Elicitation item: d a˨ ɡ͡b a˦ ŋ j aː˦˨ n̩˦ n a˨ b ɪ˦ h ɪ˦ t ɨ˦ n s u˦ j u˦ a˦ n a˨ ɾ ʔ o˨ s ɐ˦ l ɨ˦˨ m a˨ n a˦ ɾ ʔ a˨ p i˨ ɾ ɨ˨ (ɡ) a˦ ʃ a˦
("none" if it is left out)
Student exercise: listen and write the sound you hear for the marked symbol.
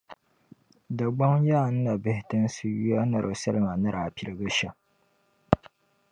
ɡ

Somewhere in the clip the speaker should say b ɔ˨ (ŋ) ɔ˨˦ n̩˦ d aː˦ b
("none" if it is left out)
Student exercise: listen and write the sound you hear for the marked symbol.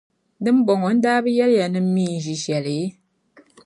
ŋ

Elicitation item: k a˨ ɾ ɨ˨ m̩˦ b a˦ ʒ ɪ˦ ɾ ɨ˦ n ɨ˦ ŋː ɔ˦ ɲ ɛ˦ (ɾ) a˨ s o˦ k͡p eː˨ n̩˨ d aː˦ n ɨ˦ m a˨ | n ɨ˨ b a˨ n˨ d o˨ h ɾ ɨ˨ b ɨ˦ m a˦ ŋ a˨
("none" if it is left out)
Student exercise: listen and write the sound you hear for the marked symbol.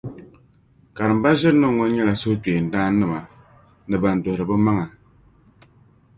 l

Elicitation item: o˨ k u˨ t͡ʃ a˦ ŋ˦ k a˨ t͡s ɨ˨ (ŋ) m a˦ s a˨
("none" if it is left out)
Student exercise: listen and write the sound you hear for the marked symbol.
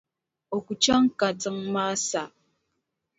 ŋ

